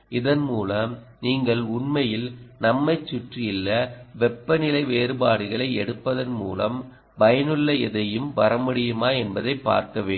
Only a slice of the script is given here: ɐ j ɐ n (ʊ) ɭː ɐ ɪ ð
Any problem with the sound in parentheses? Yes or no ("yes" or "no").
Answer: yes